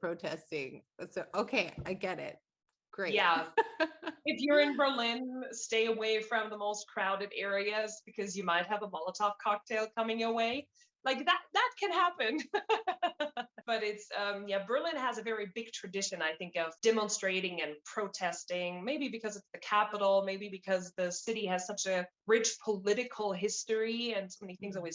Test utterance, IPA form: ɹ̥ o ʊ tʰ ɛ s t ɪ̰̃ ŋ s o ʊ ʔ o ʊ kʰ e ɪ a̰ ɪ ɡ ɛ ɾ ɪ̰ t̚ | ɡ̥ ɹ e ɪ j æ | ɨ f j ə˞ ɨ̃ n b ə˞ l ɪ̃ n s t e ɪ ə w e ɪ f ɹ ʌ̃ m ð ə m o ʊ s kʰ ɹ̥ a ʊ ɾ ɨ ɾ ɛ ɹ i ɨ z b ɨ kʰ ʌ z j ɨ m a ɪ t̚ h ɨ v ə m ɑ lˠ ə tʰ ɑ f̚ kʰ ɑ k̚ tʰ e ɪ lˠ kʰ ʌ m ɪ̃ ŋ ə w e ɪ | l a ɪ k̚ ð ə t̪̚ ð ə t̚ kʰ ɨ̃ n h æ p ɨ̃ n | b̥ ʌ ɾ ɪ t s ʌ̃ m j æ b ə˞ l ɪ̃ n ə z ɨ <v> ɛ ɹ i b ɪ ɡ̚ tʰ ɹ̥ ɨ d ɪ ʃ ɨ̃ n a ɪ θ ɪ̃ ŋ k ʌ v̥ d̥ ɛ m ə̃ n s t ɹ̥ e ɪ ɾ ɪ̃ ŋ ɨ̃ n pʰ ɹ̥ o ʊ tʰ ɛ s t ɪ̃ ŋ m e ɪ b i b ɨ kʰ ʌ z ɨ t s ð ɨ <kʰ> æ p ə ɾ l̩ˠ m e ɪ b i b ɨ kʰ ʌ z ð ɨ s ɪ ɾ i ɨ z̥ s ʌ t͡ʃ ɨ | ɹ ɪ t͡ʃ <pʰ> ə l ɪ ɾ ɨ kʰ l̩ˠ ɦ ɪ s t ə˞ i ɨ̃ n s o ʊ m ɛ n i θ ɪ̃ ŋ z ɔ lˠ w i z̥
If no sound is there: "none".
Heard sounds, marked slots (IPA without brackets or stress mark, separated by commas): v, kʰ, pʰ